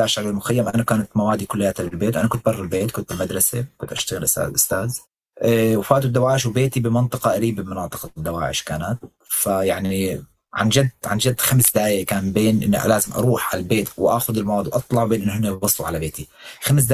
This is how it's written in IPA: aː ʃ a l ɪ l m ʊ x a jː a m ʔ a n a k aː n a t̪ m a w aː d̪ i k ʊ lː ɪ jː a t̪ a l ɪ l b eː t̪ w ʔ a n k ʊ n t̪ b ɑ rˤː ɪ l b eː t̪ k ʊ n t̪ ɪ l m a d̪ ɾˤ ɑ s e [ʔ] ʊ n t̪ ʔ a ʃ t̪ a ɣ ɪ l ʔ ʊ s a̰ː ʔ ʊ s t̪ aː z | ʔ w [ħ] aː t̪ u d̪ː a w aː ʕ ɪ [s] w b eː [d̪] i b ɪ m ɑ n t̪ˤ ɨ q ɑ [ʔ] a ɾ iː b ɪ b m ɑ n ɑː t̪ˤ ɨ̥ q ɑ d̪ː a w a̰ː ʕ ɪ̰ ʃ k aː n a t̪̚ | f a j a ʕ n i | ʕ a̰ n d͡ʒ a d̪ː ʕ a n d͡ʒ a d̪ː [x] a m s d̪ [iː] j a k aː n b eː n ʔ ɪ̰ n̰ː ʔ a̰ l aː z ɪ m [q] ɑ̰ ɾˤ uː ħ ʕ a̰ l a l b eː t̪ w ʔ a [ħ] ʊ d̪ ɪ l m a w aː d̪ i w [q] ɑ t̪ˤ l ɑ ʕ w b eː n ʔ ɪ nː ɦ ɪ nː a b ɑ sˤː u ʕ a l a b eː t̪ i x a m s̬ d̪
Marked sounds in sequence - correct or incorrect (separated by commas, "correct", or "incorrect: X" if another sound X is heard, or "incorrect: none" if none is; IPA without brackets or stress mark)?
incorrect: k, incorrect: f, incorrect: ʃ, incorrect: t̪, correct, correct, incorrect: aː, incorrect: ʔ, incorrect: x, incorrect: ʔ